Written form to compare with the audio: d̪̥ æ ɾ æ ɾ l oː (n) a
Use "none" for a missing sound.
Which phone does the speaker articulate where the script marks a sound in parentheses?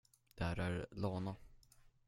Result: n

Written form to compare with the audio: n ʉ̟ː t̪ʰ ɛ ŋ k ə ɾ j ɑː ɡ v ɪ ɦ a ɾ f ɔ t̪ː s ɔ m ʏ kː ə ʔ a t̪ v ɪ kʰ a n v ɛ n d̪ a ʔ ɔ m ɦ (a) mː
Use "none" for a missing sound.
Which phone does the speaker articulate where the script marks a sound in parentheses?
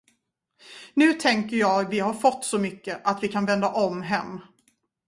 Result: ɛ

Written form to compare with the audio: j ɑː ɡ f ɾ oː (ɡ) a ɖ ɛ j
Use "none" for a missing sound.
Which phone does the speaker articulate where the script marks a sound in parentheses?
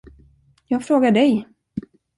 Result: ɡ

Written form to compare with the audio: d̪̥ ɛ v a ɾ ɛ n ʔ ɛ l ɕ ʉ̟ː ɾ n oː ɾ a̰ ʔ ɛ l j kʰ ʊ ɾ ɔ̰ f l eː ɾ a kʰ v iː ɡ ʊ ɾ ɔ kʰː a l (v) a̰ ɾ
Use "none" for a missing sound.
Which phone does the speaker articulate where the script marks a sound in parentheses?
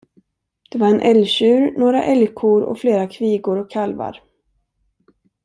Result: v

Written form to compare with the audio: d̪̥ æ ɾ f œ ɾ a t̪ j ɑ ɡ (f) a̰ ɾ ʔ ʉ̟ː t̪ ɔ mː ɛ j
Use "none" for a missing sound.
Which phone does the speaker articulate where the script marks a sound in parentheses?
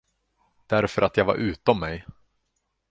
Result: v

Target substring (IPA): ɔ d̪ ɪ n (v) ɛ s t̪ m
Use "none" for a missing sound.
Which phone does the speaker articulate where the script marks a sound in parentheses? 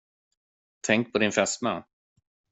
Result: f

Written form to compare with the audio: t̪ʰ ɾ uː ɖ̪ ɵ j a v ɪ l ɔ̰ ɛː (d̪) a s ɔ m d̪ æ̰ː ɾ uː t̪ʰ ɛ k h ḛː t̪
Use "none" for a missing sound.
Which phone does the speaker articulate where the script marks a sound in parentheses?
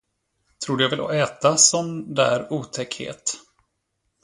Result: t̪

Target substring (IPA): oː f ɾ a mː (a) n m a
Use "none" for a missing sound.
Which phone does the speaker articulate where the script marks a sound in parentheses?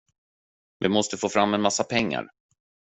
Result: ɛ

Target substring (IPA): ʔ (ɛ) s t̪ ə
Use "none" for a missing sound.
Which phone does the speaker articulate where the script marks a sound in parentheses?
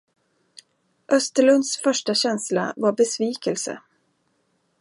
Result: œ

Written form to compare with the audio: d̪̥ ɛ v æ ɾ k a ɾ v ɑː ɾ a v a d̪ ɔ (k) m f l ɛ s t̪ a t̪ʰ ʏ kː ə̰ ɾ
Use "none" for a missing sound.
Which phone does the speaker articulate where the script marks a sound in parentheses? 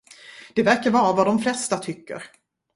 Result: none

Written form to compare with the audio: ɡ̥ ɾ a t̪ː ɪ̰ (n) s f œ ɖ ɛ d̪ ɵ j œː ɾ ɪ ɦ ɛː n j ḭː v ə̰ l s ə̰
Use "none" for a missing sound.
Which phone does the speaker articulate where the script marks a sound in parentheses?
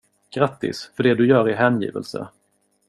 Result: none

